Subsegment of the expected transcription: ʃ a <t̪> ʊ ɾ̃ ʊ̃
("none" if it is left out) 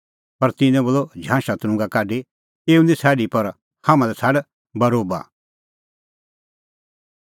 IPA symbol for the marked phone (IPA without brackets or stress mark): t̪